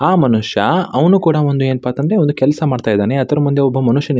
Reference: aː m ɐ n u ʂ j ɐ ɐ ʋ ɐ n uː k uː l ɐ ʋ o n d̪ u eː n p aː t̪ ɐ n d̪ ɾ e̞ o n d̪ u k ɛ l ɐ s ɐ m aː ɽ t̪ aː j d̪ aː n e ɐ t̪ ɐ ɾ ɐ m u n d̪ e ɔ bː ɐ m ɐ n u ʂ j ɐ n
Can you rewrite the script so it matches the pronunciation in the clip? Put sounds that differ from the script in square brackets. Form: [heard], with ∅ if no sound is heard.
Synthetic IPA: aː m ɐ n u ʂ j ɐ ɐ ʋ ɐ n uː k uː [ɽ] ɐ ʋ o n d̪ u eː n p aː t̪ ɐ n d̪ ɾ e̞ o n d̪ u k ɛ l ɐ s ɐ m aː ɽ t̪ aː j d̪ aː n e ɐ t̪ ɐ ɾ ɐ m u n d̪ e ɔ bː ɐ m ɐ n u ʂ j ɐ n